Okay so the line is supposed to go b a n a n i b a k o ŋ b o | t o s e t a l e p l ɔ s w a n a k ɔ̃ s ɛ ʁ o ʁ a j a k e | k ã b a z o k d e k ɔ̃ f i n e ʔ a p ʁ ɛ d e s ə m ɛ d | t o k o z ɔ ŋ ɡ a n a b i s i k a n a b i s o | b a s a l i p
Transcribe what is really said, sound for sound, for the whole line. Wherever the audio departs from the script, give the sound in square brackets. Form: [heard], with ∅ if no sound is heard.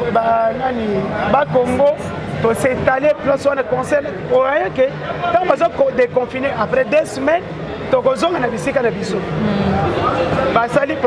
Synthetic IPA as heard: b a n a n i b a k o ŋ [ɡ] o | t o s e t a l e p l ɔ s w a n a k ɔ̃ s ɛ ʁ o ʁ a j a k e | [t] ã b a z o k d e k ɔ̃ f i n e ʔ a p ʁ ɛ d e s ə m ɛ [n] | t o k o z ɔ ŋ ɡ a n a b i s i k a n a b i s o | b a s a l i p